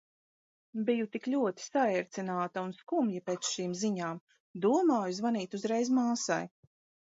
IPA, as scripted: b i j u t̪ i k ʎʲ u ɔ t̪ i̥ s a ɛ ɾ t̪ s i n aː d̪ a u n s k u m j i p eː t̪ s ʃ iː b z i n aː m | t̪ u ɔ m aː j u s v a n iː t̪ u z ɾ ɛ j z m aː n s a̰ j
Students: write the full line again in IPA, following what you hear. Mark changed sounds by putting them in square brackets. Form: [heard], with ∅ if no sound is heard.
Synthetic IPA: b i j u t̪ i k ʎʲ u ɔ t̪ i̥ s a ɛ ɾ t̪ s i n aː [t̪] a u n s k u m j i p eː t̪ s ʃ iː [m] z i [ɲ] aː m | [d̪] u ɔ m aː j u [z] v a n iː t̪ u z ɾ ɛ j z m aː [∅] s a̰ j

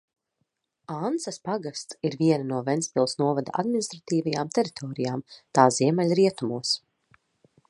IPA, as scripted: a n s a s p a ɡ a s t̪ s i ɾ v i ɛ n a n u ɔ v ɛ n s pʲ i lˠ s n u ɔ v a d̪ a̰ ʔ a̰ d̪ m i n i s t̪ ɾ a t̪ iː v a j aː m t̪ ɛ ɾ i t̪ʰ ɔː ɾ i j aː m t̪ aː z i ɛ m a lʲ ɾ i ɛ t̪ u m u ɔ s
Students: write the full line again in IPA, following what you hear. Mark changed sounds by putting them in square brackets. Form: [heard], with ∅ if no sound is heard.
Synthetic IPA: a n s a s p a ɡ a s t̪ s i ɾ v i ɛ n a n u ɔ v ɛ n s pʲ i lˠ s n u ɔ v a d̪ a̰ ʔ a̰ d̪ m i n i s t̪ ɾ a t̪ iː v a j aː m t̪ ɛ ɾ i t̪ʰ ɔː ɾ i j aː m t̪ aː z i ɛ m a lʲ ɾ i ɛ t̪ u m u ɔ s

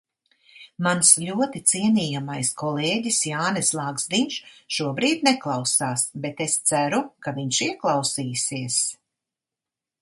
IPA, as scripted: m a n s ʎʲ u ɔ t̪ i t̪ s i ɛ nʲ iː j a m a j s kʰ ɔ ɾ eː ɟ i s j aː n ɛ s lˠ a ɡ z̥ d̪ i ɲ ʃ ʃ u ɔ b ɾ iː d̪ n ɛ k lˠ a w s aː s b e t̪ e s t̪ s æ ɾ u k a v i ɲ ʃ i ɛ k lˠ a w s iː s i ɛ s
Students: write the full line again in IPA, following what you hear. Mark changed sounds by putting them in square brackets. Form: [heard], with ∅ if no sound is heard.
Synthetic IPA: m a n s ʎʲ u ɔ t̪ i t̪ s i ɛ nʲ iː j a m a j s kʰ ɔ [l] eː ɟ i s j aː n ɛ s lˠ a ɡ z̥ d̪ i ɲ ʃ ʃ u ɔ b ɾ iː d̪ n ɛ k lˠ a w s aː s b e t̪ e s t̪ s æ ɾ u k a v i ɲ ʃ i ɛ k lˠ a w s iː s i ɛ s

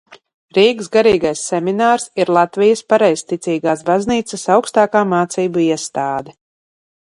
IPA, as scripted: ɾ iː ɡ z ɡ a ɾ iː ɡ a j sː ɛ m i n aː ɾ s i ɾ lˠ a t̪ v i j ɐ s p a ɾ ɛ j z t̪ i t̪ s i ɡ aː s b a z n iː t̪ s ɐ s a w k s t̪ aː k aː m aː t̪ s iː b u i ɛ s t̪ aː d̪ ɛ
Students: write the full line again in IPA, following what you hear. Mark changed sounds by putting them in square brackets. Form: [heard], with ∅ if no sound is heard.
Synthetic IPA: ɾ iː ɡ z ɡ a ɾ iː ɡ a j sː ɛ m i n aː ɾ s i ɾ lˠ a t̪ v i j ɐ s p a ɾ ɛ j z t̪ i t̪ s [iː] ɡ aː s b a z n iː t̪ s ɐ s a w k s t̪ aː k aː m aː t̪ s iː b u i ɛ s t̪ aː d̪ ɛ

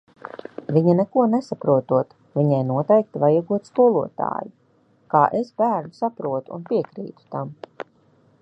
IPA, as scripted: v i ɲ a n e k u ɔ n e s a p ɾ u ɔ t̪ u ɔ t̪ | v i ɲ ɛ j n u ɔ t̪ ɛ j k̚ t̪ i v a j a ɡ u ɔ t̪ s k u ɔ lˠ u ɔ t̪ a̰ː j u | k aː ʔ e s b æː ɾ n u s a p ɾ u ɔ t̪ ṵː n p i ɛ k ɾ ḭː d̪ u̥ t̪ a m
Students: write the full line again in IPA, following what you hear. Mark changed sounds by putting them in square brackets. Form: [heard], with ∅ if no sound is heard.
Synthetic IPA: v i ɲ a n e k u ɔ n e s a p ɾ u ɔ t̪ u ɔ t̪ | v i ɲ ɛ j n u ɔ t̪ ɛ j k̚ t̪ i v a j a ɡ u ɔ t̪ s k u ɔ lˠ u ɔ t̪ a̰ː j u | k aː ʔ e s b æː ɾ n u s a p ɾ u ɔ t̪ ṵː n p i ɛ k ɾ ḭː [t̪] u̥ t̪ a m

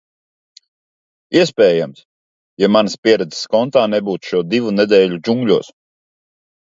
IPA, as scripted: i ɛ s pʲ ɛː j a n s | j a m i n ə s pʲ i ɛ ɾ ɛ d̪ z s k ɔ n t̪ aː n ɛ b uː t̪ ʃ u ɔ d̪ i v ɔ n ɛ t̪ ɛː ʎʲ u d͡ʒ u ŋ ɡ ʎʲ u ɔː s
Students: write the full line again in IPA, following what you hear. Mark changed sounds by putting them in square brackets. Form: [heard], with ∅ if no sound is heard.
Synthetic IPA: i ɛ s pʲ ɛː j a [m] s | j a m [a] n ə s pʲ i ɛ ɾ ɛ d̪ z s k ɔ n t̪ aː n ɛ b uː t̪ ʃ u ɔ d̪ i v [u] n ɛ [d̪] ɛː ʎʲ u d͡ʒ u ŋ ɡ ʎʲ u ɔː s

